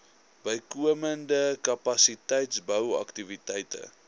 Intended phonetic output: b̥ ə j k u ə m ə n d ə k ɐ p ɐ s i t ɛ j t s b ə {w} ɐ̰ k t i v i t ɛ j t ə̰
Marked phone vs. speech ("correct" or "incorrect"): correct